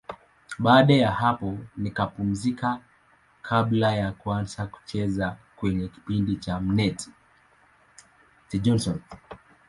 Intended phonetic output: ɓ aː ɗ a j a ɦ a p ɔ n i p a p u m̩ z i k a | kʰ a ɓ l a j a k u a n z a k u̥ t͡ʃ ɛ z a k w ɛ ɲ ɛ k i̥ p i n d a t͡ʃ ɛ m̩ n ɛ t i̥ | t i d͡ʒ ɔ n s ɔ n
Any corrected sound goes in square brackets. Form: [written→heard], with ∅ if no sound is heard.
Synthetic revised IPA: ɓ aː ɗ a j a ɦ a p ɔ n i [p→k] a p u m̩ z i k a | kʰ a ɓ l a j a k u a n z a k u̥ t͡ʃ ɛ z a k w ɛ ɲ ɛ k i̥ p i n d [a→i] t͡ʃ [ɛ→a] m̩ n ɛ t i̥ | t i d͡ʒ ɔ n s ɔ n